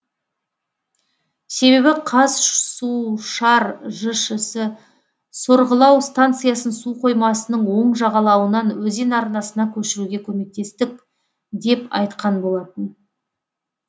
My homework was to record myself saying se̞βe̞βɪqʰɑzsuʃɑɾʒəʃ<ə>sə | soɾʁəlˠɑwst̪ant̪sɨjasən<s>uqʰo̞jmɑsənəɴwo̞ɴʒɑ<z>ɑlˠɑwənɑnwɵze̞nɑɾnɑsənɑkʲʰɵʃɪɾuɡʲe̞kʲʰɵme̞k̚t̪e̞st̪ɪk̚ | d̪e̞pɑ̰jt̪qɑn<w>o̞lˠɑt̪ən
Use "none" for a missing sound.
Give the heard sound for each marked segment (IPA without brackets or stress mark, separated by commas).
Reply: ə, s, ʁ, b